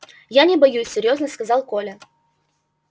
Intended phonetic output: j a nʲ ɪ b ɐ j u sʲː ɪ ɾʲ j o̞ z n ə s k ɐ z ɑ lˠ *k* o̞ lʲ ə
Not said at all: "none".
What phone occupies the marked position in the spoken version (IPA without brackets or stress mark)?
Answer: k